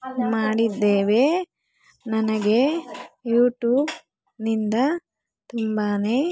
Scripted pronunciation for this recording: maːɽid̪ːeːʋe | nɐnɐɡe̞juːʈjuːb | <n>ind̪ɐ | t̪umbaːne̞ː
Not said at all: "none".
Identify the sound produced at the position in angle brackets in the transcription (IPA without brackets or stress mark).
n